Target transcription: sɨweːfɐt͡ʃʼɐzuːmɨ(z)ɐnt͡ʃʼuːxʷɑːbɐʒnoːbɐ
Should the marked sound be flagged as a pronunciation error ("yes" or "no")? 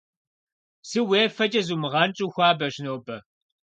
yes